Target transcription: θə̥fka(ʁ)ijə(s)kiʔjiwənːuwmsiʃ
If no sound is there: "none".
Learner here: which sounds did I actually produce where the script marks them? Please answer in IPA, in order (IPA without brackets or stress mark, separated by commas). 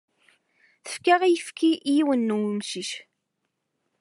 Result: ʁ, f